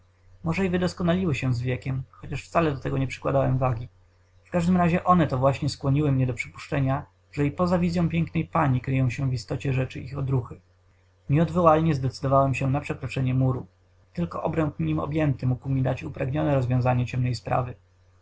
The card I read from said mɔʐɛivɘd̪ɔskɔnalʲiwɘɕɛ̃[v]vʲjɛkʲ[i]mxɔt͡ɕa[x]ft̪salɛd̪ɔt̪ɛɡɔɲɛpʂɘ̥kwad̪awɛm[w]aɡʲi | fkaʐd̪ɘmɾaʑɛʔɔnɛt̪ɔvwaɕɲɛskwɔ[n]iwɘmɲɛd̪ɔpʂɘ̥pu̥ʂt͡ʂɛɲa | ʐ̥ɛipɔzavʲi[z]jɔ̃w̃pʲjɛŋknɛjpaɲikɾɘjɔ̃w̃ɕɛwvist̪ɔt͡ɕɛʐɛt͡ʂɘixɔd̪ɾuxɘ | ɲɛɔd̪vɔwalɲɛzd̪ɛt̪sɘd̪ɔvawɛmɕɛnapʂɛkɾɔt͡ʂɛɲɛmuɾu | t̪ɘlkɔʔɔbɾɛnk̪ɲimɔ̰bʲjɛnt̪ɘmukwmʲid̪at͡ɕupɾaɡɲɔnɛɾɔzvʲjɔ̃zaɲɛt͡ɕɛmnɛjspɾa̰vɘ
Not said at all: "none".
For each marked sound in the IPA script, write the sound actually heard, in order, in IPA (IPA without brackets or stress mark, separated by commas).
z, ɛ, ʂ, v, ɲ, z